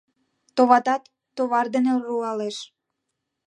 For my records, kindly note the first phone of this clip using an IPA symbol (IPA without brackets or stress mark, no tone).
t̪